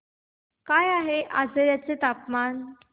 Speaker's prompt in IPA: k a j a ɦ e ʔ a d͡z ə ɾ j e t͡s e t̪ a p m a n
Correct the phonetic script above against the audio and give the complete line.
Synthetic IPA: k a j a ɦ e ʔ a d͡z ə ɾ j a t͡s e t̪ a p m a n

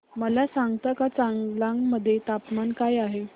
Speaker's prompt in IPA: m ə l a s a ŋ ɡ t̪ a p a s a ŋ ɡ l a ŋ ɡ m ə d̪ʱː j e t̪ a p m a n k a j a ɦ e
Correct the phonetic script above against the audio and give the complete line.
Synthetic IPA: m ə l a s a ŋ ɡ t̪ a k a t͡s a ŋ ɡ l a ŋ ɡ m ə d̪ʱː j e t̪ a p m a n k a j a ɦ e

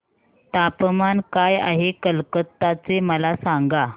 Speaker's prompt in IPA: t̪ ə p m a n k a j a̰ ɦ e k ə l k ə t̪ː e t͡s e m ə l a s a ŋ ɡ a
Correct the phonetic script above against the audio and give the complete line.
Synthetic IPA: t̪ a p m a n k a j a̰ ɦ e k ə l k ə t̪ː a t͡s e m ə l a s a ŋ ɡ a

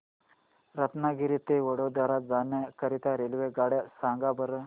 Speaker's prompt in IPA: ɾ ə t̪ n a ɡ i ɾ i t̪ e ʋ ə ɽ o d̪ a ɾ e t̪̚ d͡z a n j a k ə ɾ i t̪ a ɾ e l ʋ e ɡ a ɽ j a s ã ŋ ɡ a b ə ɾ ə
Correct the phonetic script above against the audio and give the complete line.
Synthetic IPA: ɾ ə t̪ n a ɡ i ɾ i t̪ e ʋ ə ɽ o d̪ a ɾ a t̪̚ d͡z a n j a k ə ɾ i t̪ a ɾ e l ʋ e ɡ a ɽ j a s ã ŋ ɡ a b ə ɾ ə

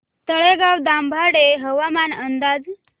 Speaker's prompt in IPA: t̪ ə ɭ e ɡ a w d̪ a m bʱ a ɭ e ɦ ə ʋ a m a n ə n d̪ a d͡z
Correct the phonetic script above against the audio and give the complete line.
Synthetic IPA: t̪ ə ɭ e ɡ a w d̪ a m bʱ a ɽ e ɦ ə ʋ a m a n ə n d̪ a d͡z

